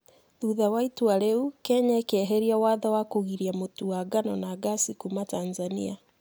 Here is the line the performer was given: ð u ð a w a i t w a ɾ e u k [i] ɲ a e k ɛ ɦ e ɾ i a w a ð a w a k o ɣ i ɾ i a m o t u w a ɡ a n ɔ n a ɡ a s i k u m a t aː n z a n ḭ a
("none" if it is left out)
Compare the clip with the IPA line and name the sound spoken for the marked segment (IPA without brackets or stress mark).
ɛ